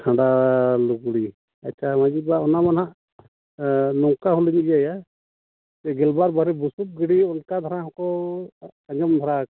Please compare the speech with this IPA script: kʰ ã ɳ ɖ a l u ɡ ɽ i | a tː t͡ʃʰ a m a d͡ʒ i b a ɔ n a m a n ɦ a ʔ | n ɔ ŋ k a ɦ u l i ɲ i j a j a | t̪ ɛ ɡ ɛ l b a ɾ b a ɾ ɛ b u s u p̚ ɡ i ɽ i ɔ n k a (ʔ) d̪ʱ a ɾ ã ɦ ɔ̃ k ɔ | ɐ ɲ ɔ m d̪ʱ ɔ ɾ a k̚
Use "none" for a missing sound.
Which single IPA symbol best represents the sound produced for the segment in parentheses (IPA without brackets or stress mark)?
none